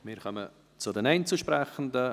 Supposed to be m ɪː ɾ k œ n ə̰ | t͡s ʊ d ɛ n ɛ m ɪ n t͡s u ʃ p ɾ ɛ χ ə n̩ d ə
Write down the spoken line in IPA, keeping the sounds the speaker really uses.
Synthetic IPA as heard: m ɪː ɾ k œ m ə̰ | t͡s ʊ d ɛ n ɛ ɪ n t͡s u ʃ p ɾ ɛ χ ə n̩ d ə